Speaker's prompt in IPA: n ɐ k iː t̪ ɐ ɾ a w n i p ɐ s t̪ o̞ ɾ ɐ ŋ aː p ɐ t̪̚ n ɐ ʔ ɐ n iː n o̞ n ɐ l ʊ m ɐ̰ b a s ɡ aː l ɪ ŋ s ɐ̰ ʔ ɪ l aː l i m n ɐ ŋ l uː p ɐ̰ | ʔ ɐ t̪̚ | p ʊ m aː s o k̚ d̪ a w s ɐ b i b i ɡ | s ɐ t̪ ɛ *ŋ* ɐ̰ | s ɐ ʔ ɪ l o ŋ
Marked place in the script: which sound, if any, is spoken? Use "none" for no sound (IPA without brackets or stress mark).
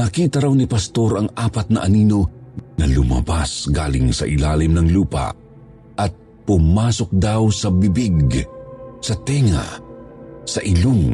ŋ